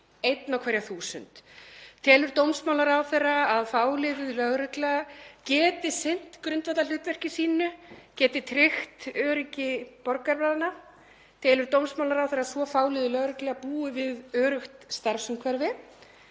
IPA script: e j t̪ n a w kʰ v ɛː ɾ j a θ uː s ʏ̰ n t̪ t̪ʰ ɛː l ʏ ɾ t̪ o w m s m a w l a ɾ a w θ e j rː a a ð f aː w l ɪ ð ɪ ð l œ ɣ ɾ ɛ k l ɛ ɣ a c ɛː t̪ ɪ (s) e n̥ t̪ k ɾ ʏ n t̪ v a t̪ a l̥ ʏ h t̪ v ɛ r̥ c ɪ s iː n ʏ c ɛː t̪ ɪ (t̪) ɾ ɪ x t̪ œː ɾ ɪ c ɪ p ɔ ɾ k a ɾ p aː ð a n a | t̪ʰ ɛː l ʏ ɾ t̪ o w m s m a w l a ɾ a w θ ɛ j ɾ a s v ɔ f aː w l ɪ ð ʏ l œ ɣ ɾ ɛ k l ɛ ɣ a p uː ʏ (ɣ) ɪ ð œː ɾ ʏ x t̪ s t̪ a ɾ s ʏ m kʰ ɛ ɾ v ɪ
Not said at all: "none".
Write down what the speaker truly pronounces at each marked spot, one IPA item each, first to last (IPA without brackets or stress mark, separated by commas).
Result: s, t̪ʰ, v